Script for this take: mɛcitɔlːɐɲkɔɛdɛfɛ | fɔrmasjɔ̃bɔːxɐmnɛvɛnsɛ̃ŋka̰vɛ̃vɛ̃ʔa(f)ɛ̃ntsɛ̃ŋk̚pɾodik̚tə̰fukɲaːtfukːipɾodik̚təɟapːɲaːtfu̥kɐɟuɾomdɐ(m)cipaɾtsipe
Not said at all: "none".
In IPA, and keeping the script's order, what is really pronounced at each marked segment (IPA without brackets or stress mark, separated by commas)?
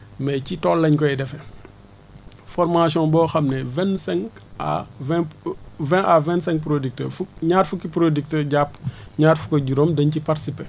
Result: v, ɲ